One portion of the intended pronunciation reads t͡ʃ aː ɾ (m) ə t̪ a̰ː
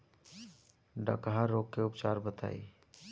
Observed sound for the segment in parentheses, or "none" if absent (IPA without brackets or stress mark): b